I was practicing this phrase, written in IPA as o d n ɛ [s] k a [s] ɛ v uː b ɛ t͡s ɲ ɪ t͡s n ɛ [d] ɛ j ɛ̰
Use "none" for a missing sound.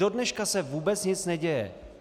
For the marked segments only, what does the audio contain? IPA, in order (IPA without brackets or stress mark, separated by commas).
ʃ, s, ɟ